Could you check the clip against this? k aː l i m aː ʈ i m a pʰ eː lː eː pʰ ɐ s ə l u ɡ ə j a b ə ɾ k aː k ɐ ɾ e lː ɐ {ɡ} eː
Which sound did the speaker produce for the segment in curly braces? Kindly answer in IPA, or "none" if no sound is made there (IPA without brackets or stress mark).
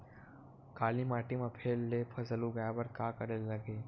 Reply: ɡ